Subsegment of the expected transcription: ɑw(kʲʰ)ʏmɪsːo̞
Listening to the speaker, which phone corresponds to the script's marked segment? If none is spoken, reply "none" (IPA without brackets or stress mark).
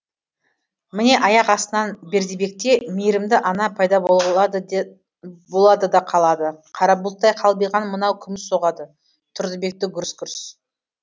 kʲʰ